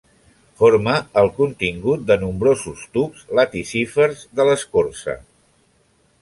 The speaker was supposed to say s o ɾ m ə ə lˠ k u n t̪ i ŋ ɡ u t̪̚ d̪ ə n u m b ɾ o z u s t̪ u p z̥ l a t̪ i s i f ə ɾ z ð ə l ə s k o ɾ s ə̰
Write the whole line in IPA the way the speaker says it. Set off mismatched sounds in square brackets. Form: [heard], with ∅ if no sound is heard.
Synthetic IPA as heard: [f] o ɾ m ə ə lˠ k u n t̪ i ŋ ɡ u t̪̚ d̪ ə n u m b ɾ o z u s t̪ u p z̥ l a t̪ i s i f ə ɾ z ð ə l ə s k o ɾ s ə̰